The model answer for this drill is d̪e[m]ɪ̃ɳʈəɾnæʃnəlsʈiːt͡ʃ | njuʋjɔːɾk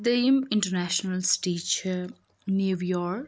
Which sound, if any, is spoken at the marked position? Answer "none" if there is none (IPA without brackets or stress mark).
m